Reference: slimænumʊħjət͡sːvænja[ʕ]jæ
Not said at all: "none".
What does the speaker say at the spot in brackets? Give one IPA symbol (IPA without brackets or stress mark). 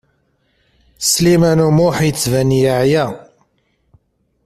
ʕ